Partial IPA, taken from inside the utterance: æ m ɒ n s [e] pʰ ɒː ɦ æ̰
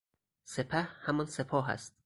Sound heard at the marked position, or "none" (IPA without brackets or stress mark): e